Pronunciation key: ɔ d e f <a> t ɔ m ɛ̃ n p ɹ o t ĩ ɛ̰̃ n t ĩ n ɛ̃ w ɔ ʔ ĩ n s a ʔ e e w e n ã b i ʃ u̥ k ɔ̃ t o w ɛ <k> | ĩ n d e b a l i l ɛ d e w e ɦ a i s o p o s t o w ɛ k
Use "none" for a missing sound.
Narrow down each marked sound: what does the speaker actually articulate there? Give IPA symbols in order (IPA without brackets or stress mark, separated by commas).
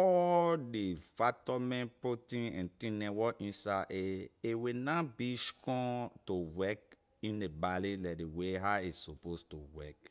a, k